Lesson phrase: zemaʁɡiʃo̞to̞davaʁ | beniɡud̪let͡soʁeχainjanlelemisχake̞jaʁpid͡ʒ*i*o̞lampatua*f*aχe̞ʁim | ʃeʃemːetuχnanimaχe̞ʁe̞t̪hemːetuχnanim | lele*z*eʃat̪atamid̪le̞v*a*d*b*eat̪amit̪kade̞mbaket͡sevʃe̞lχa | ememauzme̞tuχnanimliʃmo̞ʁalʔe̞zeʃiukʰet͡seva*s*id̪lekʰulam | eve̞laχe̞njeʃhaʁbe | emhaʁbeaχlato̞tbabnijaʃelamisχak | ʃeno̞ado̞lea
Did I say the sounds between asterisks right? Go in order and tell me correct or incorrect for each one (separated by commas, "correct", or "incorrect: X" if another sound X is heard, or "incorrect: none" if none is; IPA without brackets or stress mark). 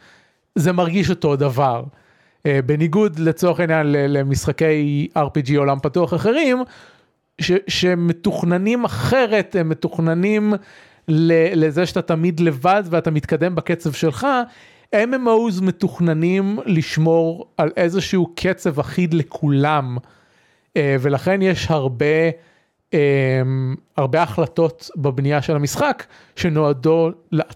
correct, incorrect: χ, correct, correct, incorrect: v, incorrect: χ